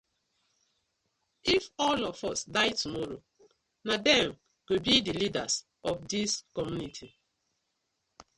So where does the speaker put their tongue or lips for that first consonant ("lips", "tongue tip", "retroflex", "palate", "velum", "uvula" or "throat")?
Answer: lips